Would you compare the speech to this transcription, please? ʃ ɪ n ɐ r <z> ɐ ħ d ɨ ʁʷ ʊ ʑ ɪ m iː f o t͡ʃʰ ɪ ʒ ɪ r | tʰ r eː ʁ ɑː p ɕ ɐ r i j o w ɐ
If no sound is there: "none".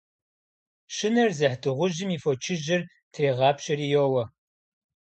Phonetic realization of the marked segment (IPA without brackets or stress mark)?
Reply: z